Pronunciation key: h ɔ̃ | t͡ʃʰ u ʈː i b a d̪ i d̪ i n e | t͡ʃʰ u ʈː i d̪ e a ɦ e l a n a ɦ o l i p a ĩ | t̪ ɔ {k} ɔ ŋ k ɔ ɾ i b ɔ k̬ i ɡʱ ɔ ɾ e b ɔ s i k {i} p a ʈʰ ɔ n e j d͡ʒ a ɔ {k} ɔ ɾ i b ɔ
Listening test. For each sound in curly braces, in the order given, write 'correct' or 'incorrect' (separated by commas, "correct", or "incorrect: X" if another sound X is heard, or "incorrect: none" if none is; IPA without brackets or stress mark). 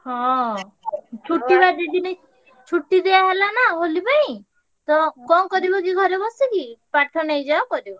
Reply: correct, correct, correct